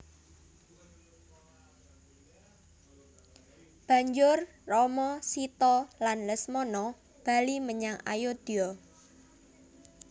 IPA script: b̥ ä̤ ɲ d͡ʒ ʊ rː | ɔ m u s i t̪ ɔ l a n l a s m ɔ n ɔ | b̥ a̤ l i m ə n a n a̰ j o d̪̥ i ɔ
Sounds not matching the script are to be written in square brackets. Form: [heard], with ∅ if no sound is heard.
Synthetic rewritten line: b̥ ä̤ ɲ d͡ʒ ʊ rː | ɔ m [ɔ] s i t̪ ɔ l a n l [ə] s m ɔ n ɔ | b̥ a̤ l i m ə [ɲ] a [ŋ] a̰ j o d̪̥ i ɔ